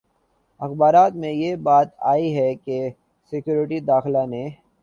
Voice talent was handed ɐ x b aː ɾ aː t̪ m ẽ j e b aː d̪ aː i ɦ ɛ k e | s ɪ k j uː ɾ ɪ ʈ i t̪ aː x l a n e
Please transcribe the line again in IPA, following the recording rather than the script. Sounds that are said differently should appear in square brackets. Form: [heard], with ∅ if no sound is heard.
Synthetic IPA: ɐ x b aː ɾ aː t̪ m ẽ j e b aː [t̪] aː i ɦ ɛ k e | s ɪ k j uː ɾ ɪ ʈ i [d̪] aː x l a n e